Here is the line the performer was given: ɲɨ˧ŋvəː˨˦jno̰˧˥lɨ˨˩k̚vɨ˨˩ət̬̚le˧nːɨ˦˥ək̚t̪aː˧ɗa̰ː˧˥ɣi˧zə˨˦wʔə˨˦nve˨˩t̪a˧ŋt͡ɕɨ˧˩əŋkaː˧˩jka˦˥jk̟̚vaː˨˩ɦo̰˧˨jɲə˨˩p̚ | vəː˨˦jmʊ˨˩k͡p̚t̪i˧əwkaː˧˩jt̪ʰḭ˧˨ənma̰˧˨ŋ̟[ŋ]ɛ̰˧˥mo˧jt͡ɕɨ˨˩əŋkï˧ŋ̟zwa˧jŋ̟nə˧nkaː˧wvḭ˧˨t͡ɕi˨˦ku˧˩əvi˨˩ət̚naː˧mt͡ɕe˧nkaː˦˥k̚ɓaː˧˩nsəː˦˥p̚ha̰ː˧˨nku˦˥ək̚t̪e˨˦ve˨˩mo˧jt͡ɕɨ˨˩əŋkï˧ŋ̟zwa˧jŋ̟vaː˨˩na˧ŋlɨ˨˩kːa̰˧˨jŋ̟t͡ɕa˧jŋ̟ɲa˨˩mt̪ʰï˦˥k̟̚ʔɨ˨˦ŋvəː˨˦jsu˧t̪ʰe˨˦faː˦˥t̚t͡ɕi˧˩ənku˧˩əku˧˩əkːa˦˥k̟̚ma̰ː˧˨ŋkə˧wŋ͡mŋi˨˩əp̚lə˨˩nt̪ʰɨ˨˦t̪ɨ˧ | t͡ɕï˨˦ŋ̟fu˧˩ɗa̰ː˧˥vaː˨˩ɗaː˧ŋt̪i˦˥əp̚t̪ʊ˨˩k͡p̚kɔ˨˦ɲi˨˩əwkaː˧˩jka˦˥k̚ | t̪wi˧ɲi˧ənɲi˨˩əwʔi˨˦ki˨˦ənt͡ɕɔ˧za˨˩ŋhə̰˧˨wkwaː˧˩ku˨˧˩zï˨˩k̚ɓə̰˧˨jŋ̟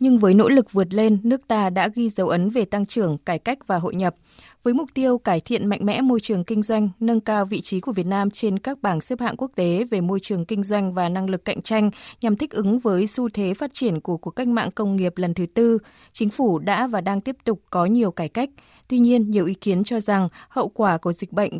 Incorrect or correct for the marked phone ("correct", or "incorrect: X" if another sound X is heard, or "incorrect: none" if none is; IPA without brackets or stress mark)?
incorrect: m